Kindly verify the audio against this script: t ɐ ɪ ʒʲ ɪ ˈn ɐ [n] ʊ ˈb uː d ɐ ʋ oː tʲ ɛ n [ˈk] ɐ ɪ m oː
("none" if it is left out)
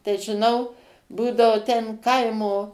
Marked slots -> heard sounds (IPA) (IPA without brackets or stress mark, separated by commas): none, k